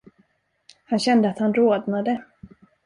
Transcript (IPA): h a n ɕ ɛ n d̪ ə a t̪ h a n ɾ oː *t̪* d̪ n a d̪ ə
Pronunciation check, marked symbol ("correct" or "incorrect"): incorrect